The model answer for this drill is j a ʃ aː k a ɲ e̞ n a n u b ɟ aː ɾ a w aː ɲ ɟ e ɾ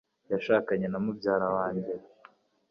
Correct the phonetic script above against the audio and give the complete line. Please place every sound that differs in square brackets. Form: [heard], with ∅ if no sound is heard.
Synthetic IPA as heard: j a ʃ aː k a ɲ e̞ n a [m] u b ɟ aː ɾ a w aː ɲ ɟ e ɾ